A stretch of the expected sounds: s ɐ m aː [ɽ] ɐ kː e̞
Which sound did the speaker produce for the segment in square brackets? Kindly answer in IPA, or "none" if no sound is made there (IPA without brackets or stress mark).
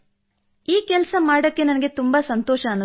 ɽ